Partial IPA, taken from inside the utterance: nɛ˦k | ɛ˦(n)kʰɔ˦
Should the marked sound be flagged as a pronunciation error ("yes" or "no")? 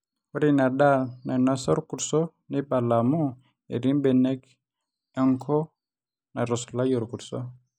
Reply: yes